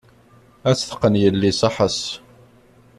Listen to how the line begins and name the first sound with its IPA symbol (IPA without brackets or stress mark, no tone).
æ